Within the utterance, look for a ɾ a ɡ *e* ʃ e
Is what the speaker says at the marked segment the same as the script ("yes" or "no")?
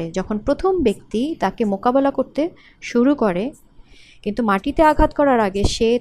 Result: yes